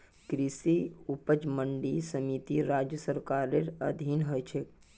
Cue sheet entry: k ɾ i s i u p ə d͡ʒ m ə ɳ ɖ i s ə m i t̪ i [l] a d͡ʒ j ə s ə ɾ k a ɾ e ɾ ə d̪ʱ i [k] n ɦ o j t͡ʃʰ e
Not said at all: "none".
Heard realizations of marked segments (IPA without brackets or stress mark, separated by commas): ɾ, none